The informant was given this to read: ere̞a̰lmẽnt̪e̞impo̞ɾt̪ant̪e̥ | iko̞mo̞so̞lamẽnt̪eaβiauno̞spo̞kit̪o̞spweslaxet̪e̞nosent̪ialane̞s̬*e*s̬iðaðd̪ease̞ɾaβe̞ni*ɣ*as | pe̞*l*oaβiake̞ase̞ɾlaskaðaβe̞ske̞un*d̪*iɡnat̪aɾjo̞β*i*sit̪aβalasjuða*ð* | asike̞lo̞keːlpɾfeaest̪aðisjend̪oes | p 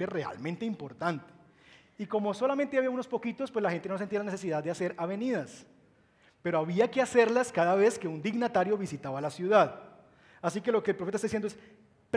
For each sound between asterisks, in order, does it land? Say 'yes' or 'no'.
yes, no, no, yes, yes, yes

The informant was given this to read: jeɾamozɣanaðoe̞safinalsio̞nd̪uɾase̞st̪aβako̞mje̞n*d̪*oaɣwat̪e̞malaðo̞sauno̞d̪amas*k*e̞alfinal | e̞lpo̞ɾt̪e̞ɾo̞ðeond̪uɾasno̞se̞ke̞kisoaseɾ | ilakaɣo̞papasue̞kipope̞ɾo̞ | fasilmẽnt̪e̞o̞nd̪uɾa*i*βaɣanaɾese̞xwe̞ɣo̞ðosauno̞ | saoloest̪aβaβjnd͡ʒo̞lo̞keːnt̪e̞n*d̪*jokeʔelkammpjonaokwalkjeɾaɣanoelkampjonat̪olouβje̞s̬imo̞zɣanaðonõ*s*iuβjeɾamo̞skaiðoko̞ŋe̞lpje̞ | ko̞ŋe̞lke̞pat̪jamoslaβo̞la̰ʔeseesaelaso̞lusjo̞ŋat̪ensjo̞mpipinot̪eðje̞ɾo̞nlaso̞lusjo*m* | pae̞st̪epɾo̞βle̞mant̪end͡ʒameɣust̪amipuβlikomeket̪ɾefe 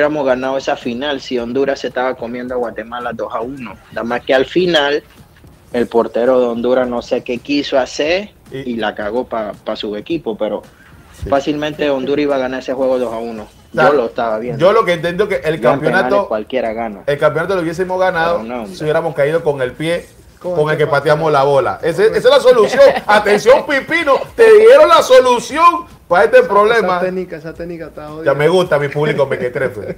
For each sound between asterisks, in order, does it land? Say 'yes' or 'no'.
yes, yes, yes, yes, yes, no

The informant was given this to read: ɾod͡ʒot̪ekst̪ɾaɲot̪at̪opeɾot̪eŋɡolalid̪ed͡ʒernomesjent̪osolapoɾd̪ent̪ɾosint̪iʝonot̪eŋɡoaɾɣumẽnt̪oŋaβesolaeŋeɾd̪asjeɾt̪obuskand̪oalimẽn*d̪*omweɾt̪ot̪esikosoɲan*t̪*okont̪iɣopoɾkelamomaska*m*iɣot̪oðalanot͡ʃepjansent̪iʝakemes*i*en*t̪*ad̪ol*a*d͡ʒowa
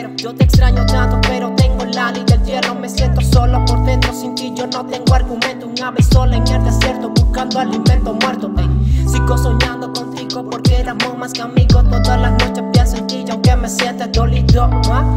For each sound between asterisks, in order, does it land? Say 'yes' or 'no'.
no, no, yes, no, yes, no

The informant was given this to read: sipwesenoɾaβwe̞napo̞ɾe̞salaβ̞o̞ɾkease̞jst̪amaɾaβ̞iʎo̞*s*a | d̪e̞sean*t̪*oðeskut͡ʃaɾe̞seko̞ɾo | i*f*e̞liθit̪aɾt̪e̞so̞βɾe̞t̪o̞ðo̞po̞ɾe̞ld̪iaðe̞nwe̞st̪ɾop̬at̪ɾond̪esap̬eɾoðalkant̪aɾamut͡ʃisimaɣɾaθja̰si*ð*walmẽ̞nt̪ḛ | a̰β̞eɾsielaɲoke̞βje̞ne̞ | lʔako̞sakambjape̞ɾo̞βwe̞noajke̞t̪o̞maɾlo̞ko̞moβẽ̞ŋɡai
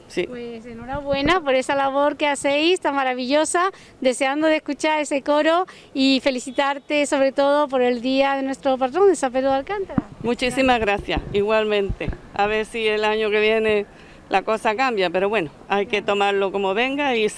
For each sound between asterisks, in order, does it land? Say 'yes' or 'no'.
yes, no, yes, no

